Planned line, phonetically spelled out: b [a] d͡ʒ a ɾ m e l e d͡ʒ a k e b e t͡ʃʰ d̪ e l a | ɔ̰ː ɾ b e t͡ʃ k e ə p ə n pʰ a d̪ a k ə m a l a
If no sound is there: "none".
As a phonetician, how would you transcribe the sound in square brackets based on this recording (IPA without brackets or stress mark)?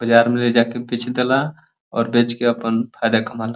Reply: ə